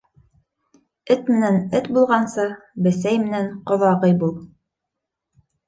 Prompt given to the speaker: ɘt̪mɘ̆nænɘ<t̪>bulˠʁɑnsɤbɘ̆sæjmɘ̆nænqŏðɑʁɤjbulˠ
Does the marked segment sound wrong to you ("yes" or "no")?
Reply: no